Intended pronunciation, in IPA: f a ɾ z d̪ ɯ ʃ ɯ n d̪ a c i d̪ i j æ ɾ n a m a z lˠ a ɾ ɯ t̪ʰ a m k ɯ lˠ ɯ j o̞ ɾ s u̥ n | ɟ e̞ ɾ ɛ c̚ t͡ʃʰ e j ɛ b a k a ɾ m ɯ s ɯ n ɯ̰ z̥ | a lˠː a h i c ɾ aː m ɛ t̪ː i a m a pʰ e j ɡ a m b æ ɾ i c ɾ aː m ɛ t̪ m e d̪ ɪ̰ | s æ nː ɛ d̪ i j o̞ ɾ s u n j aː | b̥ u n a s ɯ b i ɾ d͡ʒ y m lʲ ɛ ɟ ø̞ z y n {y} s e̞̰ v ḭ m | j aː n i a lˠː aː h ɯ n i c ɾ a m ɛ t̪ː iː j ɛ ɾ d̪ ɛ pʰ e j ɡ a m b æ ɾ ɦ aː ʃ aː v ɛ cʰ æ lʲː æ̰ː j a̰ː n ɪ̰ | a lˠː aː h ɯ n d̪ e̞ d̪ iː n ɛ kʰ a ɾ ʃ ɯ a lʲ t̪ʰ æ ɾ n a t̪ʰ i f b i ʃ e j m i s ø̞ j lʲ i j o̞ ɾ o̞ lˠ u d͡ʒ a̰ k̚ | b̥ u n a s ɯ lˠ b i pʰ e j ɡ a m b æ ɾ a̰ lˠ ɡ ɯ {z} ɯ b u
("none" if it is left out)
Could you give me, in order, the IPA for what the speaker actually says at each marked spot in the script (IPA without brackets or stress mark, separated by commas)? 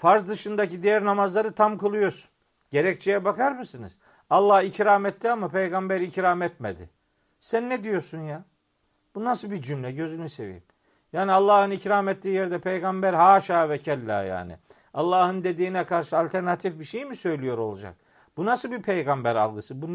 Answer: y, s